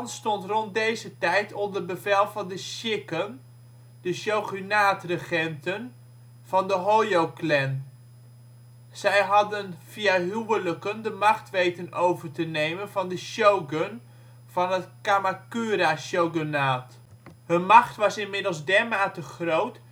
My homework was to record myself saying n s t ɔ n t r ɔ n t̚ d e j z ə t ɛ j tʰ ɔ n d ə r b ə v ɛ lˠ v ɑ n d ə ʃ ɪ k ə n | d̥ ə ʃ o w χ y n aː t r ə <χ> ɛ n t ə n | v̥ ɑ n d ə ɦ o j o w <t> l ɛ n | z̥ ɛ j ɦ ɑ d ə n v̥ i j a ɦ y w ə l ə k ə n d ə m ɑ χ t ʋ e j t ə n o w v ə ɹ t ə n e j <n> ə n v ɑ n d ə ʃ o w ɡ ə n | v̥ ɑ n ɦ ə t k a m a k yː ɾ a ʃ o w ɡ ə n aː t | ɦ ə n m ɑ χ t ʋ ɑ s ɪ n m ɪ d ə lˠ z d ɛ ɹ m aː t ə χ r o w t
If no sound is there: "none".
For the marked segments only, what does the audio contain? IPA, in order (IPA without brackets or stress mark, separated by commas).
χ, k, m